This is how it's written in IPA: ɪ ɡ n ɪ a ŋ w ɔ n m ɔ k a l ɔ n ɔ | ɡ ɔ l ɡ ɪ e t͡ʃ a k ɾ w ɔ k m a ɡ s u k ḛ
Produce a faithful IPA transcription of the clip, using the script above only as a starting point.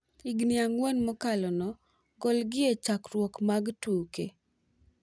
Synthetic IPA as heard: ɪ ɡ n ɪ a ŋ w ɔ n m ɔ k a l ɔ n ɔ | ɡ ɔ l ɡ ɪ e t͡ʃ a k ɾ w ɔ k m a ɡ t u k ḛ